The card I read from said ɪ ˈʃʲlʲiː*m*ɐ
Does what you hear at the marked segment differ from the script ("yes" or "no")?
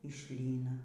yes